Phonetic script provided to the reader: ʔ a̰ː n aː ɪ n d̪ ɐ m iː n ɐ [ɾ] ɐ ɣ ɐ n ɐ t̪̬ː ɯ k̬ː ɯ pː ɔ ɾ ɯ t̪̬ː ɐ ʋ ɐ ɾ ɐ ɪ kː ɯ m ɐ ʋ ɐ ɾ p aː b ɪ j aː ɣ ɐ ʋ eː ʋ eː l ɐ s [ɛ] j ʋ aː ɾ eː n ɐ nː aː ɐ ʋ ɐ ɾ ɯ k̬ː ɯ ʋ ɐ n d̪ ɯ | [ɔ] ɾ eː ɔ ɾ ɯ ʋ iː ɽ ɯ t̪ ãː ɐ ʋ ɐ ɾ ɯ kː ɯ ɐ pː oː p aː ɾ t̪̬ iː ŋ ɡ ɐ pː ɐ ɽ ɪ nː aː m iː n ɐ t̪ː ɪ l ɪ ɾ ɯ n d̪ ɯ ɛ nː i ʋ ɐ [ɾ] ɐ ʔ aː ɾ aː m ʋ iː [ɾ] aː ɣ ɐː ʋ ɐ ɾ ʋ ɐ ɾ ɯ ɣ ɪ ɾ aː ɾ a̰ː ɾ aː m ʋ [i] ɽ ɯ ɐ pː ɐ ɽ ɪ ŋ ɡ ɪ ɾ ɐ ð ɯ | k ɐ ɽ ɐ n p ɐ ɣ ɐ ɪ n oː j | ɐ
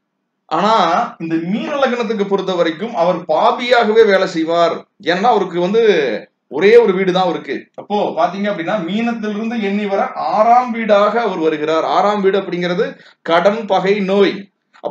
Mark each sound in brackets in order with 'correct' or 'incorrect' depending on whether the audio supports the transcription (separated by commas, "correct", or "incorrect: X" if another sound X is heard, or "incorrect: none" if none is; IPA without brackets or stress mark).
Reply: incorrect: l, correct, correct, correct, incorrect: ɽ, incorrect: iː